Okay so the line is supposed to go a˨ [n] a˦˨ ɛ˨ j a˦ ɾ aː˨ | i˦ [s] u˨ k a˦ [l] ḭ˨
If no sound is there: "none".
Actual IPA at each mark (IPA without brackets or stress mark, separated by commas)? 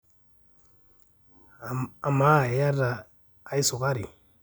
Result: m, s, ɾ